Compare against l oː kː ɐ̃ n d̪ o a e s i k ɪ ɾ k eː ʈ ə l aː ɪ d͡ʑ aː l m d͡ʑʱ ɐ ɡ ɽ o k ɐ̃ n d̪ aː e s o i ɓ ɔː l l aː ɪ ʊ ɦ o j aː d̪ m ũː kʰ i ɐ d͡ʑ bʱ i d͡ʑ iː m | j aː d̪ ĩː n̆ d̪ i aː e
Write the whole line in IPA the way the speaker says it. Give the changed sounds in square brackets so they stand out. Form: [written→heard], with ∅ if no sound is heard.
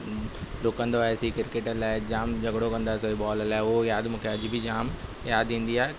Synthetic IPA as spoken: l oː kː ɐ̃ n d̪ o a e s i k ɪ ɾ k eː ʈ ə l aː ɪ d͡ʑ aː [l→∅] m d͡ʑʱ ɐ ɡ ɽ o k ɐ̃ n d̪ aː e s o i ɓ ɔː l l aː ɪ ʊ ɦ o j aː d̪ m ũː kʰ [i→e] ɐ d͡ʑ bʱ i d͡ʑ [iː→aː] m | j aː d̪ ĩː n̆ d̪ i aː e